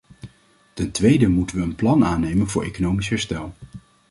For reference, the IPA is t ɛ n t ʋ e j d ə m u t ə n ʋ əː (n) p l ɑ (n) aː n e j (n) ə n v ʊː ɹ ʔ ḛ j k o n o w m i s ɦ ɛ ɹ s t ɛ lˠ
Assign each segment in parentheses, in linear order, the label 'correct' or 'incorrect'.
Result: correct, correct, incorrect

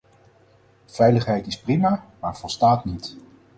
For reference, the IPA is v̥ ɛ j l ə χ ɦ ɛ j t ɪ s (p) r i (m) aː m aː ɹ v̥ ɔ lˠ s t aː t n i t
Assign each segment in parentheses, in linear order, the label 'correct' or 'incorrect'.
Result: correct, correct

